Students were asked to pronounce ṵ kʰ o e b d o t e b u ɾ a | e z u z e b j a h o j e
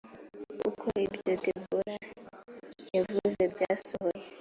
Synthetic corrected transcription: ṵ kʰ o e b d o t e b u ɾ a | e v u z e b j a s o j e